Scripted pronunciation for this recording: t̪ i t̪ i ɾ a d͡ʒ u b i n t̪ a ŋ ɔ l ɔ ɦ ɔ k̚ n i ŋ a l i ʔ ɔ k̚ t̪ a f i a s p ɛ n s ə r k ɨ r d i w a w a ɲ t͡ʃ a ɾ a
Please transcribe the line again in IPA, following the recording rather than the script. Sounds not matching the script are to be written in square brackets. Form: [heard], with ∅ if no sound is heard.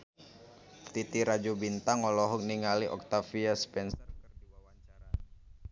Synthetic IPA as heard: t̪ i t̪ i ɾ a d͡ʒ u b i n t̪ a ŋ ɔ l ɔ ɦ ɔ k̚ n i ŋ a l i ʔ ɔ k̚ t̪ a f i a s p ɛ n s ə r k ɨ r d i w a w a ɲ t͡ʃ a ɾ a